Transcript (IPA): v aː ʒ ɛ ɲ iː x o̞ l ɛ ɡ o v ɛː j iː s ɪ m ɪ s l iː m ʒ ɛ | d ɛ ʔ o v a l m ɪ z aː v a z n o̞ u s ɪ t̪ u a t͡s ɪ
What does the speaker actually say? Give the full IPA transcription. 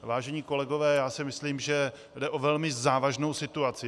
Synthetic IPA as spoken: v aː ʒ ɛ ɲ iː k o̞ l ɛ ɡ o v ɛː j aː s ɪ m ɪ s l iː m ʒ ɛ | d ɛ ʔ o v ɛ l m ɪ z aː v a ʒ n o̞ w s ɪ t̪ u a t͡s ɪ